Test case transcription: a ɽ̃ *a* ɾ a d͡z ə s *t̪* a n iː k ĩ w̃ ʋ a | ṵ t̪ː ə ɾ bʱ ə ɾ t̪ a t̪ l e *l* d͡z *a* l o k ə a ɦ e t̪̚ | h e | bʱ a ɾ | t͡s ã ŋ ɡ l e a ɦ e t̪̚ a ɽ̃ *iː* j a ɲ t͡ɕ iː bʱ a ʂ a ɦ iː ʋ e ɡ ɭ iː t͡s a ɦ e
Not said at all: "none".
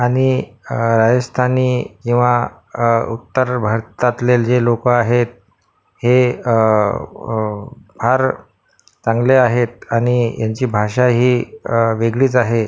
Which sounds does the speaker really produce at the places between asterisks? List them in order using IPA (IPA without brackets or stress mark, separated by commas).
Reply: i, t̪ʰ, l, e, i